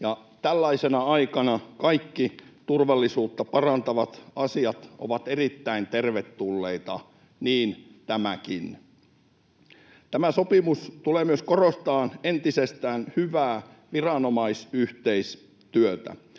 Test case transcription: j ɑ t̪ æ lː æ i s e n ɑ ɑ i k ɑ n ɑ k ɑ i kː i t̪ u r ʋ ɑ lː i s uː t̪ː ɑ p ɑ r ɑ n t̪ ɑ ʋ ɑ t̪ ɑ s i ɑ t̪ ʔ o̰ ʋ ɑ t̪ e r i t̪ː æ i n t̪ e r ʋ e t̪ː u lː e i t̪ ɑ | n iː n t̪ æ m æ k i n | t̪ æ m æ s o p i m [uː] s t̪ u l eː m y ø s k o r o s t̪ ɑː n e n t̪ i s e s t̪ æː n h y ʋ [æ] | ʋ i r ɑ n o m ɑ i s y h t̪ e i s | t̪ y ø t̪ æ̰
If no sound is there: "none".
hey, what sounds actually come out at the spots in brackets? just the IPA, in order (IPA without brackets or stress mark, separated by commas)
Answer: u, æː